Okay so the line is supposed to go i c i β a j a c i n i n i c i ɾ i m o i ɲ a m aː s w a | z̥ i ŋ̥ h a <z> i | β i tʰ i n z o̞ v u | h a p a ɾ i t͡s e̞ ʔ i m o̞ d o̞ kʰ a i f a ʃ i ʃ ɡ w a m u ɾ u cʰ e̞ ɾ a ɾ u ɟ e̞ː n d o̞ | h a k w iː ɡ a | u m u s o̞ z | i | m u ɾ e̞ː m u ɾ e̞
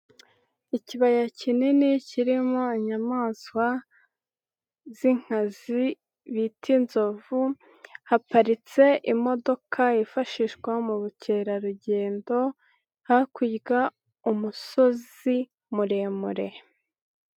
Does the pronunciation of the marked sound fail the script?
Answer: no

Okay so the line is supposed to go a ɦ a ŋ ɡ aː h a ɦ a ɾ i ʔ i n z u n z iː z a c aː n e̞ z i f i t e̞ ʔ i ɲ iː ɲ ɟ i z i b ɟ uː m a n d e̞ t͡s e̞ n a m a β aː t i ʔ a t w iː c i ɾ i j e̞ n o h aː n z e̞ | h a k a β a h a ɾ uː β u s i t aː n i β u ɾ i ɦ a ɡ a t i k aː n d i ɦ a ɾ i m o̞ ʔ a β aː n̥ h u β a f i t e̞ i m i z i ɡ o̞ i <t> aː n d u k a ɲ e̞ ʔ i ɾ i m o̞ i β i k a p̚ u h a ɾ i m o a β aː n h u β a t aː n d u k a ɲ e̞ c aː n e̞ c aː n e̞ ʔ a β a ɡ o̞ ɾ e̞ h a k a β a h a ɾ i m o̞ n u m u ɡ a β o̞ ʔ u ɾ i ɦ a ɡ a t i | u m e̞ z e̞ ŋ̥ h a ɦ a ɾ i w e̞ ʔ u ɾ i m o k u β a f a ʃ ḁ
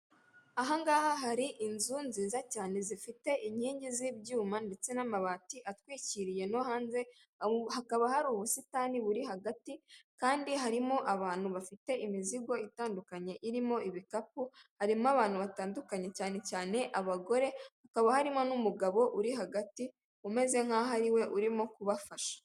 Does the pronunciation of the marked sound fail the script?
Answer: no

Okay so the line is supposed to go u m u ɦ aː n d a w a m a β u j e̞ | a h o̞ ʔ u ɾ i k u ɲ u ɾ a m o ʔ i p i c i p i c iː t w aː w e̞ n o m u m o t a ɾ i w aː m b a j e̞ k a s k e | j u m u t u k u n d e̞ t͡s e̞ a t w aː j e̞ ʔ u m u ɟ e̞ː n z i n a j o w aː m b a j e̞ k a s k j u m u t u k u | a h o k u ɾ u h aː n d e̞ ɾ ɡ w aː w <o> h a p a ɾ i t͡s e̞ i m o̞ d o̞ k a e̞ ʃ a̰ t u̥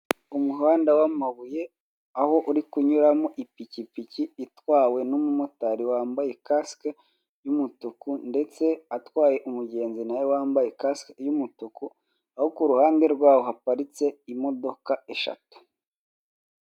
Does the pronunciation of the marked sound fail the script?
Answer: no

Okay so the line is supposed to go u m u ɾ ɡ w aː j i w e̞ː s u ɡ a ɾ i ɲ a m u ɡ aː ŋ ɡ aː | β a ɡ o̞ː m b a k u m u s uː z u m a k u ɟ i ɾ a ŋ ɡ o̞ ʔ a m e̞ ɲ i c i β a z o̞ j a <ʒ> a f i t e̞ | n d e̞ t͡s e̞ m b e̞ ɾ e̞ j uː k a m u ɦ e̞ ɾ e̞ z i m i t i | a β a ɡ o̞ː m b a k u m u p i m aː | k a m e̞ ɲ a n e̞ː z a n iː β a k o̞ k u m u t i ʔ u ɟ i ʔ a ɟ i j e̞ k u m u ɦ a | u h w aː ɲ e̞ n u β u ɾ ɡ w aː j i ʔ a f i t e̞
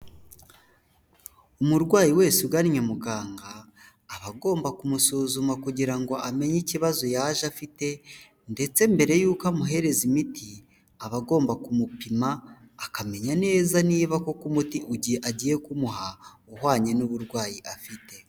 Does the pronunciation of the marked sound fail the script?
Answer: no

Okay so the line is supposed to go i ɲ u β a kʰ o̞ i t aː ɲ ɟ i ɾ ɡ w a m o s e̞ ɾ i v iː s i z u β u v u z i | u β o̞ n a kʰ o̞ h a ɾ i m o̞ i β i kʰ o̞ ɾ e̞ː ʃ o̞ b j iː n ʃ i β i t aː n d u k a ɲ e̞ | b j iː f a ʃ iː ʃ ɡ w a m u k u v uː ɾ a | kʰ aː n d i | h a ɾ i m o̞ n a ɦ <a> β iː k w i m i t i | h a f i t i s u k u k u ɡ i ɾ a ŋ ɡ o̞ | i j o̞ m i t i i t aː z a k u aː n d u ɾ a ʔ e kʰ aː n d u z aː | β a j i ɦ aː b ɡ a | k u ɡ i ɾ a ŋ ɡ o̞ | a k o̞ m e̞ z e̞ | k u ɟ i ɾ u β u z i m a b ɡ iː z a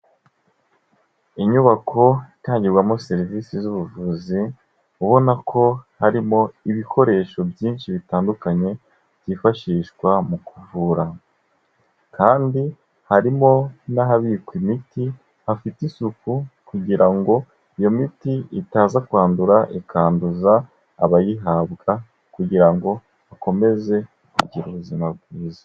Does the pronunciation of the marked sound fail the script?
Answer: no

